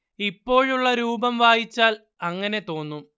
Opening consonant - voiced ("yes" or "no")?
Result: no